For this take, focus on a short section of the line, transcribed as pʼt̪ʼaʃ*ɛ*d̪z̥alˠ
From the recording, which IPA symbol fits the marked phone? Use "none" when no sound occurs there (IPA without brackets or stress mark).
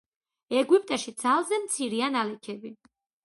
i